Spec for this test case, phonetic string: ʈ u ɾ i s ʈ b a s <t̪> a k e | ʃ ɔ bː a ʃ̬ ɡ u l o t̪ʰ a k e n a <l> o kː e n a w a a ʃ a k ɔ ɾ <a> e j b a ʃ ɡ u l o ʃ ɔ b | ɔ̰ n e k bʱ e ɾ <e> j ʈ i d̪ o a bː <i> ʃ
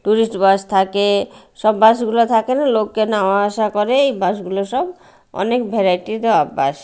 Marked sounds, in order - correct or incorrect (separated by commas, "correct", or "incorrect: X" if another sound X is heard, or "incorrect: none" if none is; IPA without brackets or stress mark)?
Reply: incorrect: t̪ʰ, correct, incorrect: e, incorrect: a, incorrect: a